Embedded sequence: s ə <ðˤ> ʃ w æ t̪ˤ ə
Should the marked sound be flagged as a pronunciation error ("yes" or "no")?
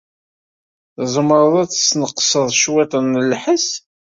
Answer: no